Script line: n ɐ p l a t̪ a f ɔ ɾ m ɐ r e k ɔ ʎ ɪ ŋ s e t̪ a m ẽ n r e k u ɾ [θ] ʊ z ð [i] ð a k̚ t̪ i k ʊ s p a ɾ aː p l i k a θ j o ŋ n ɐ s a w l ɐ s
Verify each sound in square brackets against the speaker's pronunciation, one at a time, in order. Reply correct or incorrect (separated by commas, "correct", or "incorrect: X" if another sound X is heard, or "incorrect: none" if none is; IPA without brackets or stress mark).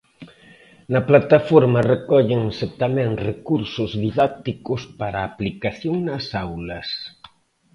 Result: incorrect: s, correct